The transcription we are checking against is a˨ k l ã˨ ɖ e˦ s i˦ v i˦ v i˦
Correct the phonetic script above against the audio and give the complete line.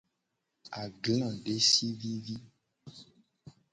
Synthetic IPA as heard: a˨ ɡ l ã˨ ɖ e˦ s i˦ v i˦ v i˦